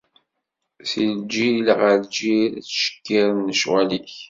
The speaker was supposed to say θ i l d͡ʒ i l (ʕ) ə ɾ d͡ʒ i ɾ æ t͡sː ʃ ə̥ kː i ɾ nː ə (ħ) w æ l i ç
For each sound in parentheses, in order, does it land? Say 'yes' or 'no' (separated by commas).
no, no